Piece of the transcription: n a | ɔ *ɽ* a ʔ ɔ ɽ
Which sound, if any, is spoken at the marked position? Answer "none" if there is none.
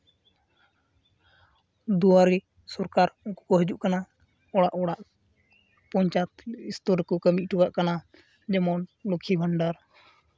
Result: ɽ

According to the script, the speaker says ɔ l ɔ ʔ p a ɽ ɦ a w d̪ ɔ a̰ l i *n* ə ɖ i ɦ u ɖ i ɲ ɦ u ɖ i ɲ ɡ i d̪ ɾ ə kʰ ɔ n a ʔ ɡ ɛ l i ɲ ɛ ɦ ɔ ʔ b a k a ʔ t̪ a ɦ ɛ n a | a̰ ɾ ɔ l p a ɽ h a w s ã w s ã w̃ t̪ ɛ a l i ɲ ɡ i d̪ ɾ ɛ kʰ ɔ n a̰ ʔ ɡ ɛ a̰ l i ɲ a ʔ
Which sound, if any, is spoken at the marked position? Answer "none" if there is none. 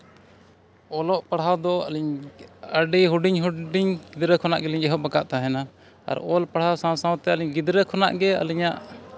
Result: ɲ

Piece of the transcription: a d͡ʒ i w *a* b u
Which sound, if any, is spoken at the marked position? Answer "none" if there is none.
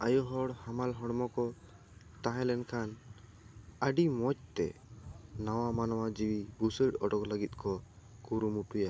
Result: i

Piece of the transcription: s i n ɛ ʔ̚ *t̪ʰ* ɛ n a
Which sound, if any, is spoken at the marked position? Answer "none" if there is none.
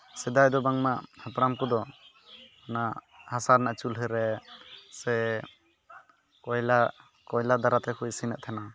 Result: t̪ʰ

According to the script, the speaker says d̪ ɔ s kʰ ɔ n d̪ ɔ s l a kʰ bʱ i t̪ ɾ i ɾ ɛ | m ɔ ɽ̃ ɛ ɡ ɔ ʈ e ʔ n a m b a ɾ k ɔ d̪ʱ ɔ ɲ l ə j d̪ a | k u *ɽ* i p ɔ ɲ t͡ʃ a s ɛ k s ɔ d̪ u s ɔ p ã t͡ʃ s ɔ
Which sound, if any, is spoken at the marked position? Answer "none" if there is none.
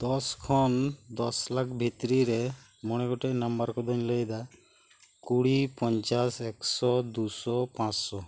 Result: ɽ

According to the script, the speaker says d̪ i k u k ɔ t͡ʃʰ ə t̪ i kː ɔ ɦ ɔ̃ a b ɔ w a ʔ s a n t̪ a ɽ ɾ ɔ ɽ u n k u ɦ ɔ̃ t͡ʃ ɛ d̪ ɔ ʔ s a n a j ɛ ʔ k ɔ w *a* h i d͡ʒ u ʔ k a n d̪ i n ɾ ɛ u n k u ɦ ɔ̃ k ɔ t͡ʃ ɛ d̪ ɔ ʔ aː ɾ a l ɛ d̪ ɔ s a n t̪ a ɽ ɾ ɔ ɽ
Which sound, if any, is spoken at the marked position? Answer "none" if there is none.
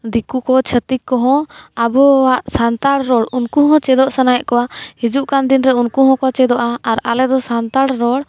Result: a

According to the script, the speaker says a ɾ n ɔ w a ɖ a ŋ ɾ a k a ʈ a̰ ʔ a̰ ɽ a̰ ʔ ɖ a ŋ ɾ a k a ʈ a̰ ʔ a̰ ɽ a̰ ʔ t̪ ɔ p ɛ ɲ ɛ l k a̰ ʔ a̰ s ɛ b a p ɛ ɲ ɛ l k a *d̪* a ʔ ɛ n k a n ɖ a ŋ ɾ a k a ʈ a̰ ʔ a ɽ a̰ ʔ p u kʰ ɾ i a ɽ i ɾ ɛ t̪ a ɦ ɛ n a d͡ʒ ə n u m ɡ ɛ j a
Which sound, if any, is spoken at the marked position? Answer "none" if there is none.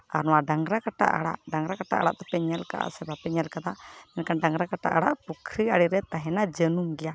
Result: d̪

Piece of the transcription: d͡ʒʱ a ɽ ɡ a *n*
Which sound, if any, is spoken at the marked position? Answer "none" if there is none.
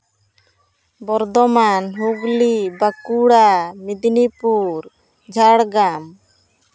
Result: m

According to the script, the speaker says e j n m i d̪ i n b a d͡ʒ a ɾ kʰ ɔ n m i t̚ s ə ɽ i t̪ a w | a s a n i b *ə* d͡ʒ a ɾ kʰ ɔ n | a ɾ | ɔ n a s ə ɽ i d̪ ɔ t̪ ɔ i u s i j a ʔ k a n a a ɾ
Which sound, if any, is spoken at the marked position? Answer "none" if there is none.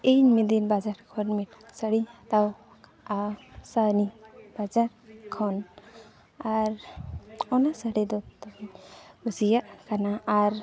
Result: a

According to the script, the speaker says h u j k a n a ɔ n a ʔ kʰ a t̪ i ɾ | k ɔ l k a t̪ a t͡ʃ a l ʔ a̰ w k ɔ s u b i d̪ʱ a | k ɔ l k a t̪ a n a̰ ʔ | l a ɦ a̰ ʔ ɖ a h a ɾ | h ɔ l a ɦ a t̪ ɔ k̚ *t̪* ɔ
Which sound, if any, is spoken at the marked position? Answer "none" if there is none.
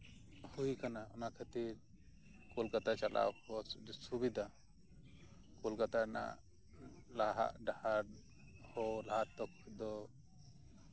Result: d̪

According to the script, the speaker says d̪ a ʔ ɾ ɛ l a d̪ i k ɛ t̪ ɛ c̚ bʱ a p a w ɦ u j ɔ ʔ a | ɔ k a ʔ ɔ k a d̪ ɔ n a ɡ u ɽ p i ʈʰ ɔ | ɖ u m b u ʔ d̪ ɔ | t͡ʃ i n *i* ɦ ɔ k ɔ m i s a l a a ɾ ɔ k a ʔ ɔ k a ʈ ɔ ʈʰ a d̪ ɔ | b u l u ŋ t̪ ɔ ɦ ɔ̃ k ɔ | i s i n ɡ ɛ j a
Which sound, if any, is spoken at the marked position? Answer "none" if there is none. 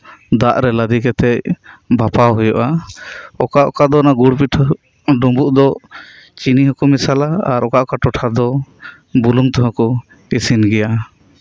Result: i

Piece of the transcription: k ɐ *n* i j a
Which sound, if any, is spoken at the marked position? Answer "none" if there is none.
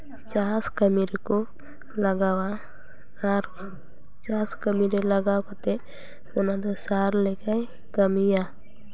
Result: m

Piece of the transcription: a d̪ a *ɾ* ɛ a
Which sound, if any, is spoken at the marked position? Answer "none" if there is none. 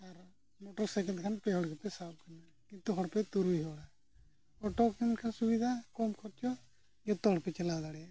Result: ɽ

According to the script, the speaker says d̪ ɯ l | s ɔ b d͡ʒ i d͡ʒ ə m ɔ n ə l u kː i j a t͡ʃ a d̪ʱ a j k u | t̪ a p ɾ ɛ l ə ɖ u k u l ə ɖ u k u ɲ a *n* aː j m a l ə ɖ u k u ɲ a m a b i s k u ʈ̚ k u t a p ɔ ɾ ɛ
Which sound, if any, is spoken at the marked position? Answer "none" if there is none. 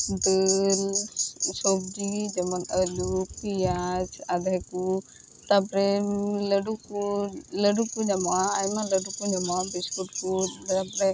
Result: m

